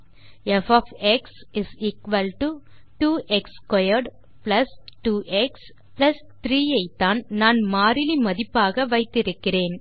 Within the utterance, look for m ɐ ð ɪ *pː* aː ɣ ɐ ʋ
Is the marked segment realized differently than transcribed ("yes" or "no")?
no